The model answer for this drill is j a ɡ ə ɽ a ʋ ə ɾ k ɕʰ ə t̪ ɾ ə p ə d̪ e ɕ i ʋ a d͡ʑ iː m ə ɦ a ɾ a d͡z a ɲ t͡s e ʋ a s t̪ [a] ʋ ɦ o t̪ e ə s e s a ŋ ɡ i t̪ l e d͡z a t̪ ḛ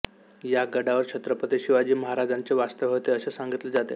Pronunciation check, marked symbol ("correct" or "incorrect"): incorrect